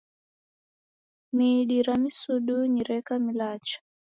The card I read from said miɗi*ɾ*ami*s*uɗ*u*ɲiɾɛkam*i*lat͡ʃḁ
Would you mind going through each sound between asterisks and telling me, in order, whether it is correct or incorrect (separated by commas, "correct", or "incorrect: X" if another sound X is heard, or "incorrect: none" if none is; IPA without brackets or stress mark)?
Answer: correct, correct, correct, correct